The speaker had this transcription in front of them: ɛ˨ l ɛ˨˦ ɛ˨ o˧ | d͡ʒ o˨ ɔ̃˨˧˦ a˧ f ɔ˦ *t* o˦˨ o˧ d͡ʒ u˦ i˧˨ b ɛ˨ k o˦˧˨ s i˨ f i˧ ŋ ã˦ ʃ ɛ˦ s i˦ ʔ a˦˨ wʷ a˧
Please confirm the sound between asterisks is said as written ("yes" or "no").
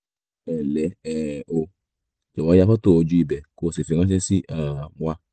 yes